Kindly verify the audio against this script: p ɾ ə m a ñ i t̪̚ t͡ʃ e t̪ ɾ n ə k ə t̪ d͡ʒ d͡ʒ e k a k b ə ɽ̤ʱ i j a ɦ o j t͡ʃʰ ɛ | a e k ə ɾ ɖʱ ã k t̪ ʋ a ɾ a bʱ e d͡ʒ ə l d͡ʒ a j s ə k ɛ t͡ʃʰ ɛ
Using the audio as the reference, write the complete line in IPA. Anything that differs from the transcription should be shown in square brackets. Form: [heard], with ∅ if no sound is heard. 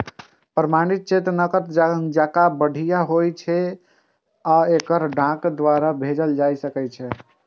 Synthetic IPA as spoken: p ɾ ə m a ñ i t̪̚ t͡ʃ e t̪ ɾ n ə k ə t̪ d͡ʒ d͡ʒ [a] k a [∅] b ə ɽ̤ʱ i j a ɦ o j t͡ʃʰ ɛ | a e k ə ɾ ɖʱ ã k [d̪] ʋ a ɾ a bʱ e d͡ʒ ə l d͡ʒ a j s ə k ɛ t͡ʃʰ ɛ